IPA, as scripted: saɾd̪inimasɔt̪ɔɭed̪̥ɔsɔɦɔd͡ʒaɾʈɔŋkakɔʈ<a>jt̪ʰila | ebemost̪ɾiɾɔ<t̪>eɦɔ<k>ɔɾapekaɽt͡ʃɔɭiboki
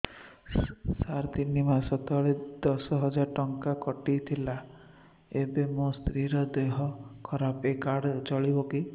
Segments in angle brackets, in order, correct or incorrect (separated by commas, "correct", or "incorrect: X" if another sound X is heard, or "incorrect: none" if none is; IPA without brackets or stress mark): incorrect: i, incorrect: d̪, incorrect: kʰ